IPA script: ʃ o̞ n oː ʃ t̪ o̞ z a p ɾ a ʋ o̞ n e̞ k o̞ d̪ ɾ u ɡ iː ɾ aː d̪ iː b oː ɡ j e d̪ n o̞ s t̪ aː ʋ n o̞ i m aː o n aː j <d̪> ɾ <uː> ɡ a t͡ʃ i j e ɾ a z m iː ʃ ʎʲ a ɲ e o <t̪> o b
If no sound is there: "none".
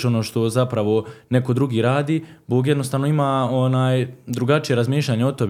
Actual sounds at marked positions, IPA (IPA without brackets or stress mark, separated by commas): d̪, u, t̪